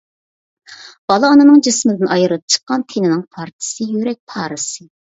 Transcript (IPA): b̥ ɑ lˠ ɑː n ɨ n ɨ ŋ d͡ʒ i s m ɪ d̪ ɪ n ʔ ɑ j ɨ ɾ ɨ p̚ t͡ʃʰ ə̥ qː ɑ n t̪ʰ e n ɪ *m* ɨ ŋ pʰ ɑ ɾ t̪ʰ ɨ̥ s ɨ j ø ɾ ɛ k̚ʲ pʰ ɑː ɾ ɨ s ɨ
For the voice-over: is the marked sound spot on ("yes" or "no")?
no